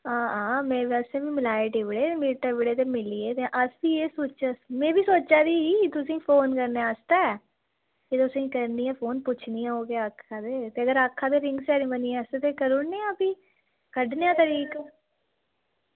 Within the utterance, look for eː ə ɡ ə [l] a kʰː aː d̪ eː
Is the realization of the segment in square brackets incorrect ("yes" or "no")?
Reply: yes